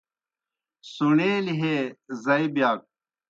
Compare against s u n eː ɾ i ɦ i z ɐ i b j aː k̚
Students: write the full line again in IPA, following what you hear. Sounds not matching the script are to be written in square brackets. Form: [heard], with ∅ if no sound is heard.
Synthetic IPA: s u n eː [l] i ɦ [e] z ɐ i b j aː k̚